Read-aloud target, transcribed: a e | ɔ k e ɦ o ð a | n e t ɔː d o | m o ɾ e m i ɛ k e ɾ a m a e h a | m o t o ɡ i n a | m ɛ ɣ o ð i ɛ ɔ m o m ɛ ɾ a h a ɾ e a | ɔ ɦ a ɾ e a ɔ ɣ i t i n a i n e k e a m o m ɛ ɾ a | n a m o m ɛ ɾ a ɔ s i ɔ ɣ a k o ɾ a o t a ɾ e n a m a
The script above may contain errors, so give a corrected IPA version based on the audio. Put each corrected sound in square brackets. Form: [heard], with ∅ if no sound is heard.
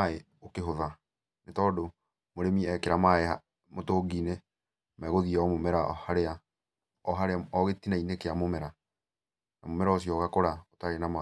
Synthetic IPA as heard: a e | [o] k e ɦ o ð a | n e t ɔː d o | m o ɾ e m i ɛ k e ɾ a m a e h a | m o t o ɡ i n [e] | m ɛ ɣ o ð i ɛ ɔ m o m ɛ ɾ a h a ɾ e a | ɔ ɦ a ɾ e a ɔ ɣ [e] t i n a i n e k e a m o m ɛ ɾ a | n a m o m ɛ ɾ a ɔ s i ɔ ɣ a k o ɾ a o t a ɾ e n a m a

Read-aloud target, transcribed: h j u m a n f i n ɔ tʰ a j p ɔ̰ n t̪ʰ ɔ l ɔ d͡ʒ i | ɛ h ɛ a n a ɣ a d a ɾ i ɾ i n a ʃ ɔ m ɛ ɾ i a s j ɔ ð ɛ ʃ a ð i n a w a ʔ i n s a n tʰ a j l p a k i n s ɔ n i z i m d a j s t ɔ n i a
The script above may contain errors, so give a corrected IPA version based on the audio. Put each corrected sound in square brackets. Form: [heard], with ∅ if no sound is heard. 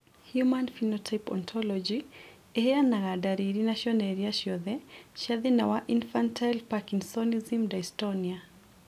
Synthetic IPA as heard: h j u m a n f i n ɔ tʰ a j p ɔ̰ n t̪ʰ ɔ l ɔ d͡ʒ i | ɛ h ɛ a n a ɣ a d a ɾ i ɾ i n a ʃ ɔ [n] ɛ ɾ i a [ʃ] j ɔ ð ɛ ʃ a ð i n a w a ʔ i n [f] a n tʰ a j l p a k i n s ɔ n i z i m d a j s t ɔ n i a

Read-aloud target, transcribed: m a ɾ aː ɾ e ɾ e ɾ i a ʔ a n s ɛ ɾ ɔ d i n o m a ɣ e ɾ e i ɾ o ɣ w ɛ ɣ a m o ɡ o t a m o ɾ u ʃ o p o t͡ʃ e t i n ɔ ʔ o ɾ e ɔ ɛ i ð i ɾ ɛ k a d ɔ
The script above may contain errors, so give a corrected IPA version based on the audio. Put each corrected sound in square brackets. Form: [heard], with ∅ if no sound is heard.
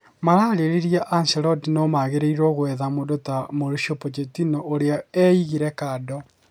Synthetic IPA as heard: m a ɾ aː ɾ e ɾ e ɾ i a ʔ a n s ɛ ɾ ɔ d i n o m a ɣ e ɾ e i ɾ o ɣ w ɛ [ð] a m o [d] o t a m o ɾ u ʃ o p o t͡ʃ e t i n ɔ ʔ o ɾ e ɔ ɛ i [ɣ] i ɾ ɛ k a d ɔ

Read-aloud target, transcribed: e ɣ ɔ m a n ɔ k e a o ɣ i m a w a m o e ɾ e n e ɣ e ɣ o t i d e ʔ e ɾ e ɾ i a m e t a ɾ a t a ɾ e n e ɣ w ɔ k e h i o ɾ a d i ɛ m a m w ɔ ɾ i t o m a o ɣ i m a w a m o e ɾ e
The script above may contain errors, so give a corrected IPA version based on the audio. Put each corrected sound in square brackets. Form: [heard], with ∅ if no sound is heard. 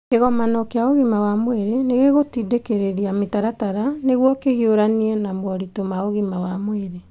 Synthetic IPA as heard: e ɣ ɔ m a n ɔ k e a o ɣ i m a w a m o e ɾ e n e ɣ e ɣ o t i d e [k] e ɾ e ɾ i a m e t a ɾ a t a ɾ [a] n e ɣ w ɔ k e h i o ɾ a [n] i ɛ [n] a m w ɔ ɾ i t o m a o ɣ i m a w a m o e ɾ e

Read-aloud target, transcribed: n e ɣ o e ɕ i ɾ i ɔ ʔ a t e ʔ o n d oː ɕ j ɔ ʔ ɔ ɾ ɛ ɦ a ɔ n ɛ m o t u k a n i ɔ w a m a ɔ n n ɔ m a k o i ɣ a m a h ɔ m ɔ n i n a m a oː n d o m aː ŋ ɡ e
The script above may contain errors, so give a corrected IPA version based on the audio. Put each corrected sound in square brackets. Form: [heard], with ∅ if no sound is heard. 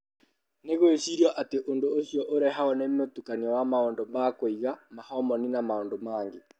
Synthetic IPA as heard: n e ɣ o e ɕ i ɾ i ɔ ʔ a t e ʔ o n d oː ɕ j ɔ ʔ [o] ɾ ɛ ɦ a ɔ n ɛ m o t u k a n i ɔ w a m a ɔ n [d] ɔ m a k o i ɣ a m a h ɔ m ɔ n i n a m a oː n d o m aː ŋ ɡ e

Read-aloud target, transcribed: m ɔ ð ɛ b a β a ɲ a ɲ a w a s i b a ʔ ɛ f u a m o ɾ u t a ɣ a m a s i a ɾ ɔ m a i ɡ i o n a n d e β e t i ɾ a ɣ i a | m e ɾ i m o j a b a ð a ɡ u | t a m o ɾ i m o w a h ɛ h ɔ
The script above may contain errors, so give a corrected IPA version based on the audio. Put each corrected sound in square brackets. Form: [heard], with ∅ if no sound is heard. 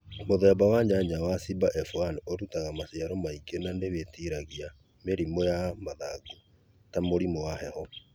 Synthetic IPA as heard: m [o] ð ɛ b a [w] a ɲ a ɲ a w a s i b a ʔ ɛ f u a [n] o ɾ u t a ɣ a m a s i a ɾ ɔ m a i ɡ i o n a n d e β e t i ɾ a ɣ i a | m e ɾ i m o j a [m] a ð a ɡ u | t a m o ɾ i m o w a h ɛ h ɔ

